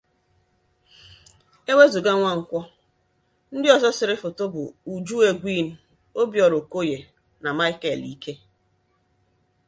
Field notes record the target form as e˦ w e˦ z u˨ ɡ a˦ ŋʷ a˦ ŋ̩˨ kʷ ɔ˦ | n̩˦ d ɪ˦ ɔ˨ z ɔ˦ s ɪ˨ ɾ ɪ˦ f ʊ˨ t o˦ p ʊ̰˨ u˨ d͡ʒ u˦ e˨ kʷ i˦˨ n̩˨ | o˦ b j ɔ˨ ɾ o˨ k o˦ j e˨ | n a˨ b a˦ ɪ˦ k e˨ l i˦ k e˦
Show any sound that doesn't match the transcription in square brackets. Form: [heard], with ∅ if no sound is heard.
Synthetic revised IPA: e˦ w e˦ z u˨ ɡ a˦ ŋʷ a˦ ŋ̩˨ kʷ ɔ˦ | n̩˦ d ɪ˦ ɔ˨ z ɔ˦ s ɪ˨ ɾ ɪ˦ f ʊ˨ t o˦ [b] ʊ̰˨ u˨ d͡ʒ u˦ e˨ [ɡʷ] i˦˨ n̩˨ | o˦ b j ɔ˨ ɾ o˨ k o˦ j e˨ | n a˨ [m] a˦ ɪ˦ k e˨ l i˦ k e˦

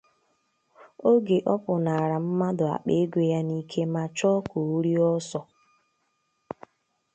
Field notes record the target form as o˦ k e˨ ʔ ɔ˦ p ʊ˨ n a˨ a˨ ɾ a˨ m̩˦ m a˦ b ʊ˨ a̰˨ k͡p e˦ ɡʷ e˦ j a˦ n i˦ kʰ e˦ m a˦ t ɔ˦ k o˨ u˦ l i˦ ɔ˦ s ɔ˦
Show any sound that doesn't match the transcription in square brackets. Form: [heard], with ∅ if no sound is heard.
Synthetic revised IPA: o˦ [ɡ] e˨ ʔ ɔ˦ p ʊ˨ n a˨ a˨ ɾ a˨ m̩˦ m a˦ [d] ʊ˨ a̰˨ k͡p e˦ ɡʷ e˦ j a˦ n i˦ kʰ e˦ m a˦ [t͡ʃ] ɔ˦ k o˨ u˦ [ɾ] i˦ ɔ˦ s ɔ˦

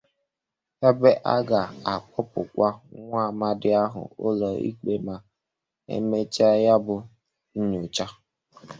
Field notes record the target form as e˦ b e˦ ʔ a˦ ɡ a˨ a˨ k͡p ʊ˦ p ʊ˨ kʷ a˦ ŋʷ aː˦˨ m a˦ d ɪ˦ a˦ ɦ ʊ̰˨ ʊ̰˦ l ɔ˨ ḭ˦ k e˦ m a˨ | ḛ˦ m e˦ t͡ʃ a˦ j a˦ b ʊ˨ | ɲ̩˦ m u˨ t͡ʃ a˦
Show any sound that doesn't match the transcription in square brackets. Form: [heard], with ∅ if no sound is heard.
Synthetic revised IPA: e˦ b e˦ ʔ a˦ ɡ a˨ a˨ k͡p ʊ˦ p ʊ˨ kʷ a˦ ŋʷ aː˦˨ m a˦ d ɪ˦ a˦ ɦ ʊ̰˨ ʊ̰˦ l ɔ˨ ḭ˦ [k͡p] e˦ m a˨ | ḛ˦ m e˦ t͡ʃ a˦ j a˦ b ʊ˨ | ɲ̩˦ [ɲ] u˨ t͡ʃ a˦

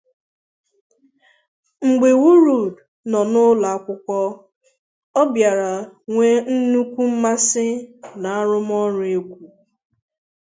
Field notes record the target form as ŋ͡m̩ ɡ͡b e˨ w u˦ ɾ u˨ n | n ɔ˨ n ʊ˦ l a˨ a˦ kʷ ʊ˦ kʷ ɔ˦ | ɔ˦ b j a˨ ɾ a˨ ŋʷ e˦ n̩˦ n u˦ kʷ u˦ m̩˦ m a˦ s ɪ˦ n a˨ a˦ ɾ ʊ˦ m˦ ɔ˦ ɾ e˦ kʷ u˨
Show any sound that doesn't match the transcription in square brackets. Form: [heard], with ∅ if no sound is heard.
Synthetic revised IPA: ŋ͡m̩ ɡ͡b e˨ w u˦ ɾ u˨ [d] | n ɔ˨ n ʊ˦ l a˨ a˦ kʷ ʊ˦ kʷ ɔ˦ | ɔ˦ b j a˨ ɾ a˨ ŋʷ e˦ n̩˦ n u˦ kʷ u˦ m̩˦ m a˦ s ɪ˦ n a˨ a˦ ɾ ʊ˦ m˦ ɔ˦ ɾ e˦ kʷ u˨

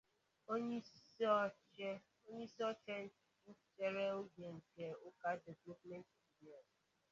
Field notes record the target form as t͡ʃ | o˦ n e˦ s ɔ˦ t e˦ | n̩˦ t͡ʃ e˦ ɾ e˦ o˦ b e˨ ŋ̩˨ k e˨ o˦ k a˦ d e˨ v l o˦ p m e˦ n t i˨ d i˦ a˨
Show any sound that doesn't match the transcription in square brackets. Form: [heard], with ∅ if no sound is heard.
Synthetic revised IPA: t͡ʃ | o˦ [ɲ] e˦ s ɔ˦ [t͡ʃ] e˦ | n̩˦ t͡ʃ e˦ ɾ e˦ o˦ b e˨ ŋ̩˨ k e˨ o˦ k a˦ d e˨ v l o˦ p m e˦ n t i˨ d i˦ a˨

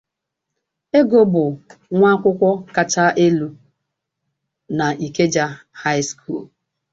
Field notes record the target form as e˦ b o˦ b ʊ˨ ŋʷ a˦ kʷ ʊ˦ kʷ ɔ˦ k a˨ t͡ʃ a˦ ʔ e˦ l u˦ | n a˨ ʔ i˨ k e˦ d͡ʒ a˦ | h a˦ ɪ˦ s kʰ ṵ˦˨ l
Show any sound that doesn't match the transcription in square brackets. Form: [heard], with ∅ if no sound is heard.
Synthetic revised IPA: e˦ [ɡ] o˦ b ʊ˨ ŋʷ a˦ kʷ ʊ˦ kʷ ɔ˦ k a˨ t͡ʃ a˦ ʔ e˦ l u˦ | n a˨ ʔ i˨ k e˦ d͡ʒ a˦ | h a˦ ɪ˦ s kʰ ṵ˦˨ l

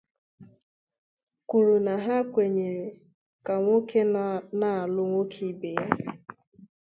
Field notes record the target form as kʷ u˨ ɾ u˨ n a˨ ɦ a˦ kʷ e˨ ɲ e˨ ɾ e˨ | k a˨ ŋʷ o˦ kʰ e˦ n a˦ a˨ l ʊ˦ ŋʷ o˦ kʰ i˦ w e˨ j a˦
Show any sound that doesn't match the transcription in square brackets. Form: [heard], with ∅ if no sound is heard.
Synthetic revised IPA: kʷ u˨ ɾ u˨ n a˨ ɦ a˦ kʷ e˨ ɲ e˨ ɾ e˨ | k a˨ ŋʷ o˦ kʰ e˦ n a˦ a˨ l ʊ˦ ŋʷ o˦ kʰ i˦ [b] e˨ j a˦

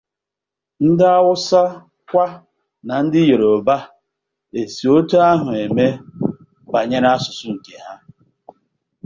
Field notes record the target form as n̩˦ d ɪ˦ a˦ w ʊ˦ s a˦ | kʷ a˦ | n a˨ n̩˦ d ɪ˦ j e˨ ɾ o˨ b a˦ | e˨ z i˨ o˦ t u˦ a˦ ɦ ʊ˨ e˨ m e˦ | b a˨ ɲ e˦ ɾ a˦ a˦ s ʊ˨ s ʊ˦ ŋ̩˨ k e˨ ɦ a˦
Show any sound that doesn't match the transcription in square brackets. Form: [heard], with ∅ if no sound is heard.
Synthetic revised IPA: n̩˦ d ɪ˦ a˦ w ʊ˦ s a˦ | kʷ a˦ | n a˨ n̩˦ d ɪ˦ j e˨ ɾ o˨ b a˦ | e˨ [s] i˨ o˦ t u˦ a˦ ɦ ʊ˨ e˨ m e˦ | b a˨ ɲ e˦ ɾ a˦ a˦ s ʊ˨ s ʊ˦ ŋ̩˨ k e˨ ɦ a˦

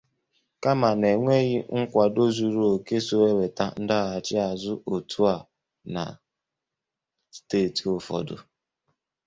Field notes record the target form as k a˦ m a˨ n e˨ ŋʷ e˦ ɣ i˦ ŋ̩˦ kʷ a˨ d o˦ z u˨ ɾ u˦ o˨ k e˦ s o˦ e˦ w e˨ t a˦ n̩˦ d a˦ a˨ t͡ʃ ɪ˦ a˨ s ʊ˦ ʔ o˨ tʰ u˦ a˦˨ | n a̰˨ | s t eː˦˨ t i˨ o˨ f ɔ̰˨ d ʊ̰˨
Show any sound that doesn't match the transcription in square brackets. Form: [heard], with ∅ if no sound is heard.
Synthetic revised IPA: k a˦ m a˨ n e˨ ŋʷ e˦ ɣ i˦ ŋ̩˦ kʷ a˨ d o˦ z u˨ ɾ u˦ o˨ k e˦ s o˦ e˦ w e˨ t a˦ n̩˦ d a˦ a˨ t͡ʃ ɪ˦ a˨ [z] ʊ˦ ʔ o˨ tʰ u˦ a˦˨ | n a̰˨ | s t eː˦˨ t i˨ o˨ f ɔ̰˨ d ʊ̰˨

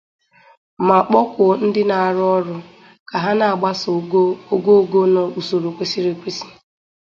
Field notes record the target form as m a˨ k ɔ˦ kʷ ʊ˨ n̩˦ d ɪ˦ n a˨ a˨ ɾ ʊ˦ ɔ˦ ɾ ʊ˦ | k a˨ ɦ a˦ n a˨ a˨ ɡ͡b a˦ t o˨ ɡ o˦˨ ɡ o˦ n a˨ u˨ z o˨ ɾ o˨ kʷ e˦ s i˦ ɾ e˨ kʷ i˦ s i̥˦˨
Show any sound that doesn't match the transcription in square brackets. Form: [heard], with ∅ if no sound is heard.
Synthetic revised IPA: m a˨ [k͡p] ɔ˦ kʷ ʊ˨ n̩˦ d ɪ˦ n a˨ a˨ ɾ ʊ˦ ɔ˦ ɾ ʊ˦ | k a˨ ɦ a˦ n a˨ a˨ ɡ͡b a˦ [s] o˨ ɡ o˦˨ ɡ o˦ n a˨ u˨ [s] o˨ ɾ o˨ kʷ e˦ s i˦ ɾ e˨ kʷ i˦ s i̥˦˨

